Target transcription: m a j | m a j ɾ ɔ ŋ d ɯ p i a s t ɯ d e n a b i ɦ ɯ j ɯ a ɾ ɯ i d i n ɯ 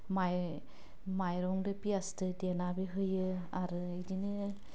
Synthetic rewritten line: m a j | m a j ɾ ɔ ŋ d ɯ p i a s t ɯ d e n a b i ɦ ɯ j ɯ a ɾ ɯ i d i n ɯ